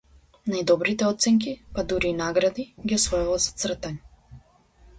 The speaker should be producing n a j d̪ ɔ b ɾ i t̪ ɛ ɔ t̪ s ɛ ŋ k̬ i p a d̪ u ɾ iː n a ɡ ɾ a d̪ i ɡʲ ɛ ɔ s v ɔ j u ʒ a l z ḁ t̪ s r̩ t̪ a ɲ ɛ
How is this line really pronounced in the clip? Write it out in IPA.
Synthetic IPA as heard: n a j d̪ ɔ b ɾ i t̪ ɛ ɔ t̪ s ɛ ŋ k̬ i p a d̪ u ɾ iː n a ɡ ɾ a d̪ i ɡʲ i ɔ s v ɔ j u v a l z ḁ t̪ s r̩ t̪ a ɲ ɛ

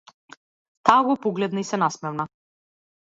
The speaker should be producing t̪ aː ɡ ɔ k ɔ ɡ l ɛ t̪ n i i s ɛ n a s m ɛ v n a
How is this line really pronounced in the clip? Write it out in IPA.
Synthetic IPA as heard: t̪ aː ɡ ɔ p ɔ ɡ l ɛ d̪ n a i s ɛ n a s m ɛ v n a

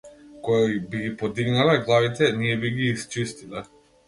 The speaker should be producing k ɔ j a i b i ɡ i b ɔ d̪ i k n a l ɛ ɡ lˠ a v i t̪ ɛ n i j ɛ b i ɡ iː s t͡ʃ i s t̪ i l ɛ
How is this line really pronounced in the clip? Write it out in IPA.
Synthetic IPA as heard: k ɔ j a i b i ɡ i p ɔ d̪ i ɡ n a l ɛ ɡ lˠ a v i t̪ ɛ n i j ɛ b i ɡ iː s t͡ʃ i s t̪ i l ɛ

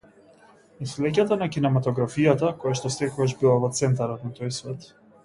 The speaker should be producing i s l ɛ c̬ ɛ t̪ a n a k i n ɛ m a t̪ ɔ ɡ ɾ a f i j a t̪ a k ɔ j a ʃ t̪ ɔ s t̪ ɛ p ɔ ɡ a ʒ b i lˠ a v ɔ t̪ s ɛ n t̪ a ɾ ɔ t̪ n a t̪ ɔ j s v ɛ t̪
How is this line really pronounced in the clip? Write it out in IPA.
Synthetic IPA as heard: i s l ɛ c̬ a t̪ a n a k i n ɛ m a t̪ ɔ ɡ ɾ a f i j a t̪ a k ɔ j a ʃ t̪ ɔ s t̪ ɛ k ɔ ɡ a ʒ b i lˠ a v ɔ t̪ s ɛ n t̪ a ɾ ɔ t̪ n a t̪ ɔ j s v ɛ t̪

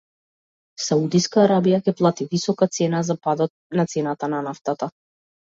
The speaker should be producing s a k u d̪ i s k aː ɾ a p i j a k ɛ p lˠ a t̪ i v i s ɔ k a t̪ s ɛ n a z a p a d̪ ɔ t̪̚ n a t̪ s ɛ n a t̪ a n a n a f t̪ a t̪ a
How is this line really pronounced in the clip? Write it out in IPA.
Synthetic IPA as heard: s a u d̪ i s k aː ɾ a b i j a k ɛ p lˠ a t̪ i v i s ɔ k a t̪ s ɛ n a z a p a d̪ ɔ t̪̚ n a t̪ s ɛ n a t̪ a n a n a f t̪ a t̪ a

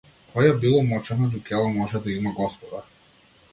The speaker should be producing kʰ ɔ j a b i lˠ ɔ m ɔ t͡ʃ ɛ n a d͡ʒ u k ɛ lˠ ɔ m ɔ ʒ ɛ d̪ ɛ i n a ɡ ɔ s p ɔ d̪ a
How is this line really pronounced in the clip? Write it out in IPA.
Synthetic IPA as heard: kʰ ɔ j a b i lˠ ɔ m ɔ t͡ʃ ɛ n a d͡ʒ u k ɛ lˠ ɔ m ɔ ʒ ɛ d̪ a i m a ɡ ɔ s p ɔ d̪ a

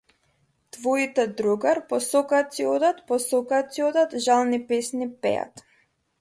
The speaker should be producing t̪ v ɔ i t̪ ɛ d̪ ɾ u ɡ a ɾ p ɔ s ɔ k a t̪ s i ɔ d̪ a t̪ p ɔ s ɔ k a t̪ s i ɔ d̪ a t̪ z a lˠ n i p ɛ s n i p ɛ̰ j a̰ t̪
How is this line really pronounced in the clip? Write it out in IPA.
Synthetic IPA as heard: t̪ v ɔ i t̪ ɛ d̪ ɾ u ɡ a ɾ p ɔ s ɔ k a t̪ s i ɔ d̪ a t̪ p ɔ s ɔ k a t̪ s i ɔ d̪ a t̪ ʒ a lˠ n i p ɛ s n i p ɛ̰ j a̰ t̪

